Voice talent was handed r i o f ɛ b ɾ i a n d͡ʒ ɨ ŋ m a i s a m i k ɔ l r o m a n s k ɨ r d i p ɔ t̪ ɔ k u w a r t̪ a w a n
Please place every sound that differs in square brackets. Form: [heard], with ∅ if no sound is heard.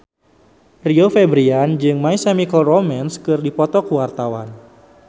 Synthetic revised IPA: r i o f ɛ b ɾ i a n d͡ʒ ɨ ŋ m a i s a m i k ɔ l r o m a n s k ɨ r d i p ɔ t̪ ɔ k u w a r t̪ a w a n